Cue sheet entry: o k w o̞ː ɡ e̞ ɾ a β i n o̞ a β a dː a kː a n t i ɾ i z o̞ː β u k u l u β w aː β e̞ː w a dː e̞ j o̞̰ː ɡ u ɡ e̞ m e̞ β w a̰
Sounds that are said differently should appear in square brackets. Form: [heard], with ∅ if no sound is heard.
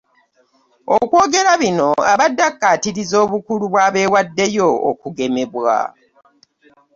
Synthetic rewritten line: o k w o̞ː ɡ e̞ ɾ a β i n o̞ a β a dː a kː a [∅] t i ɾ i z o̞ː β u k u l u β w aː β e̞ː w a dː e̞ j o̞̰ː [k] u ɡ e̞ m e̞ β w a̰